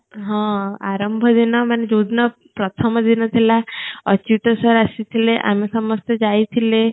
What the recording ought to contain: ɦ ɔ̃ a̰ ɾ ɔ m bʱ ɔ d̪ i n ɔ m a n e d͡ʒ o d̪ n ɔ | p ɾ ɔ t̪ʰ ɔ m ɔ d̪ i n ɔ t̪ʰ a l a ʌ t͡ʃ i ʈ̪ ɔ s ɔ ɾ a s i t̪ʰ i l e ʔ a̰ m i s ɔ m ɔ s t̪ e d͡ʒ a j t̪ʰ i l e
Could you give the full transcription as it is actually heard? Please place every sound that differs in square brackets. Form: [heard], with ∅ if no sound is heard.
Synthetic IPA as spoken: ɦ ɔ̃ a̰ ɾ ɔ m bʱ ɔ d̪ i n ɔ m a n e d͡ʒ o d̪ n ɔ | p ɾ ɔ t̪ʰ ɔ m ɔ d̪ i n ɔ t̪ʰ [i] l a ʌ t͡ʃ i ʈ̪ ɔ s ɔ ɾ a s i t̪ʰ i l e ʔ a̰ m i s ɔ m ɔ s t̪ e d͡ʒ a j t̪ʰ i l e